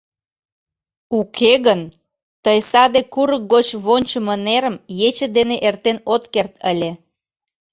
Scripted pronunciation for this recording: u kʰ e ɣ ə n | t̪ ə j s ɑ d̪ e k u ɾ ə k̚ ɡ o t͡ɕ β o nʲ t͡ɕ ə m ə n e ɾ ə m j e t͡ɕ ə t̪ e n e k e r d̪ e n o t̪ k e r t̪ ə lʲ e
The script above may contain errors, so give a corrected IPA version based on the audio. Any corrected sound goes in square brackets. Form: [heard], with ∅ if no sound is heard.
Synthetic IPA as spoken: u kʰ e ɣ ə n | t̪ ə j s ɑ d̪ e k u ɾ ə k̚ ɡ o t͡ɕ β o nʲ t͡ɕ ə m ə n e ɾ ə m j e t͡ɕ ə [d̪] e n e [ʔ] e r [t̪] e n o t̪ k e r t̪ ə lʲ e